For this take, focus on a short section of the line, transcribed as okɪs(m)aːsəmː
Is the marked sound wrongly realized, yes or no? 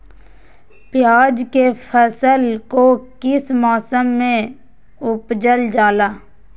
no